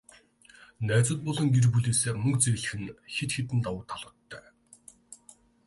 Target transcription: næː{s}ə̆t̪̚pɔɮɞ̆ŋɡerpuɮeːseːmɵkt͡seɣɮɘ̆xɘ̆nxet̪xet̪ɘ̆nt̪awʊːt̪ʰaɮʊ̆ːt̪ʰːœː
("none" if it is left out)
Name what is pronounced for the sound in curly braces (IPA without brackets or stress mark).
t͡s